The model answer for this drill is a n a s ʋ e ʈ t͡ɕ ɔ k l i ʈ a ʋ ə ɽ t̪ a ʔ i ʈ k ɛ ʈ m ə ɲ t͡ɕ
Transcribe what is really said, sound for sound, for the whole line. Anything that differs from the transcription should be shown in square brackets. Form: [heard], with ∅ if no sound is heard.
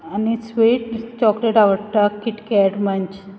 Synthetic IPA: a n [i] s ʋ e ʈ t͡ɕ ɔ k l [e] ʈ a ʋ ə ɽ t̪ a [k] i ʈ k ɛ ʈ m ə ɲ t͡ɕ